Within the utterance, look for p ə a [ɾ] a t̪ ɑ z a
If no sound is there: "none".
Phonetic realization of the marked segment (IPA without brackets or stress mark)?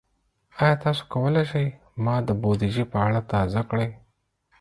ɽ